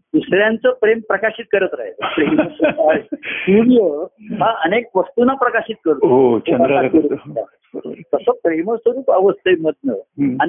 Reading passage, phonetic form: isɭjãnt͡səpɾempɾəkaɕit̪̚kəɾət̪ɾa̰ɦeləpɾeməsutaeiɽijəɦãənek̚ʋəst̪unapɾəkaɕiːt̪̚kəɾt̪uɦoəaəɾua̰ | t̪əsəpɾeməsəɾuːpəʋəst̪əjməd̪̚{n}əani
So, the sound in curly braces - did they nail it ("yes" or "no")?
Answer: yes